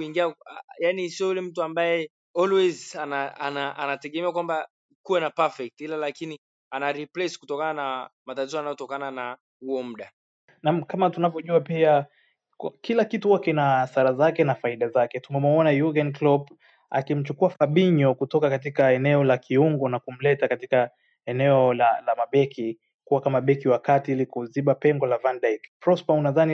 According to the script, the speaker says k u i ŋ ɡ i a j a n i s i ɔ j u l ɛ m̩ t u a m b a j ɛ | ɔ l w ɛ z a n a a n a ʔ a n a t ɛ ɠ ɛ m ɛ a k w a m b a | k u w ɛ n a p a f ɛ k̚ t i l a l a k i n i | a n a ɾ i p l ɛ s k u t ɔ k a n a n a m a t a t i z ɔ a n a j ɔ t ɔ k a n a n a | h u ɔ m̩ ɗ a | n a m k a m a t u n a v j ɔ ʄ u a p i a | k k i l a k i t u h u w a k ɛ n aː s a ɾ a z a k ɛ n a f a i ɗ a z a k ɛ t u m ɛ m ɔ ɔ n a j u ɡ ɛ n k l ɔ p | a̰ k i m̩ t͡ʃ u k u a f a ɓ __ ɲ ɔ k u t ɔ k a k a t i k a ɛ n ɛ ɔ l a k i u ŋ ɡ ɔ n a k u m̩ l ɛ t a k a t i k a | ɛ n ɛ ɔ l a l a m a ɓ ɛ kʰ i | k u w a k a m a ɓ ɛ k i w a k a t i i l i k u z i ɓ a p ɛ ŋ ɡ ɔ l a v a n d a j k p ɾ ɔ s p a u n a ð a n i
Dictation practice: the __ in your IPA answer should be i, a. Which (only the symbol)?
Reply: i